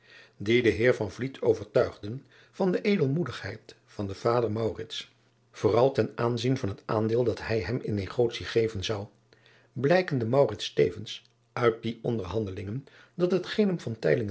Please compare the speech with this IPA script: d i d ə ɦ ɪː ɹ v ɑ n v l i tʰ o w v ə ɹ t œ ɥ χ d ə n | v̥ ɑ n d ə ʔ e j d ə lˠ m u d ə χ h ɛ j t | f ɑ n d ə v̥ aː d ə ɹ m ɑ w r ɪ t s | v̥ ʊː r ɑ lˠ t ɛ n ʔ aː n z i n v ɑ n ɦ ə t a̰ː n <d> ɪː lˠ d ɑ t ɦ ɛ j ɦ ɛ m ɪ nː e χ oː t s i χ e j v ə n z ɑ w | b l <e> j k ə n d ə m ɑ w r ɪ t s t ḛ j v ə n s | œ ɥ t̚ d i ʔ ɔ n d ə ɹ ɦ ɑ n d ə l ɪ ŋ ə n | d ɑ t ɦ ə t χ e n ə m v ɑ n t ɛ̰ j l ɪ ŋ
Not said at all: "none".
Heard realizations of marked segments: d, ɛ

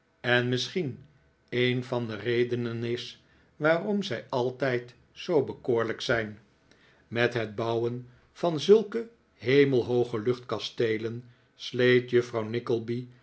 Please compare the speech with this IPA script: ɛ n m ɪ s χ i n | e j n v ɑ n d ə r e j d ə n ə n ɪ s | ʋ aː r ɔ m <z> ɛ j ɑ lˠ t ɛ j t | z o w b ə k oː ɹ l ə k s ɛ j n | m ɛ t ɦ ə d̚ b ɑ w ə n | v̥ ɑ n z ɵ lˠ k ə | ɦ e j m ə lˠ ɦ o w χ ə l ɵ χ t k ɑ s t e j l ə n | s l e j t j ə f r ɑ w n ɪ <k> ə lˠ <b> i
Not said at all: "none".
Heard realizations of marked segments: z, k, b

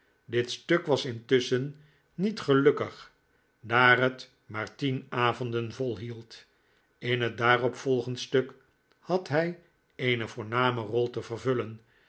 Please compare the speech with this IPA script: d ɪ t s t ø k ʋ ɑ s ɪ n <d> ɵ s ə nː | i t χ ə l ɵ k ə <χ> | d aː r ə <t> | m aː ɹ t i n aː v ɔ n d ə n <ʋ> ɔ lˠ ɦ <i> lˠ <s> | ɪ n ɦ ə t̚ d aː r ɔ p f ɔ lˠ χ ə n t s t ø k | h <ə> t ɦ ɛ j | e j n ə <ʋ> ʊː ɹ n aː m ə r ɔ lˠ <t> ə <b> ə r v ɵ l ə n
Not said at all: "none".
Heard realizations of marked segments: t, χ, t, v, i, t, ɑ, v, t, v

